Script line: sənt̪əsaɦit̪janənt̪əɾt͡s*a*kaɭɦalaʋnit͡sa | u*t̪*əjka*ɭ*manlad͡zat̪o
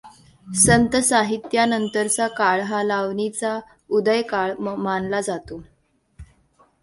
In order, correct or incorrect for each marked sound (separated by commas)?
correct, incorrect, correct